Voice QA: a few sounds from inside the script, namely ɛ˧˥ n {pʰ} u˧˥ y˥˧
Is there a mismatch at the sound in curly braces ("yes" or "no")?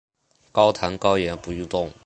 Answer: yes